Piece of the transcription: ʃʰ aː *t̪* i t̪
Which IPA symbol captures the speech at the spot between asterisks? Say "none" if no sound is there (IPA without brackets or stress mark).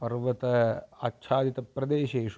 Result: d̪